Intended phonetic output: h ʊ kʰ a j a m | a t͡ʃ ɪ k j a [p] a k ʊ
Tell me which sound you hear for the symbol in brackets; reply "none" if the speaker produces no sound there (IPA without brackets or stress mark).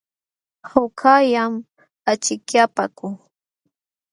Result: p